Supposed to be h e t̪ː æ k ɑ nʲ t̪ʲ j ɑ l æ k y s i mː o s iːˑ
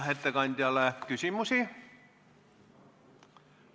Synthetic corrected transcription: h e t̪ː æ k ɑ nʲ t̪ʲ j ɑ l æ k y s i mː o s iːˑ